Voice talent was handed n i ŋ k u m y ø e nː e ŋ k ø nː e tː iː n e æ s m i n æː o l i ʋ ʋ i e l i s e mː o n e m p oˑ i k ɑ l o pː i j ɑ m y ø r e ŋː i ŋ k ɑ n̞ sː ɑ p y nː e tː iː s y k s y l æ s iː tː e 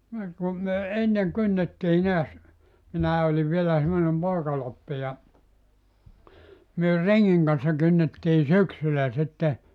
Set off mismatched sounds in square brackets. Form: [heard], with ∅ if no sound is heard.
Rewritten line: n i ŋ k u m y ø e nː e ŋ k [y] nː e tː iː n e æ s m i n æː o l i ʋ ʋ i e l [æ] s e mː o n e m p oˑ i k ɑ l o pː i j ɑ m y ø r e ŋː i ŋ k ɑ n̞ sː ɑ [k] y nː e tː iː s y k s y l æ s [i] tː e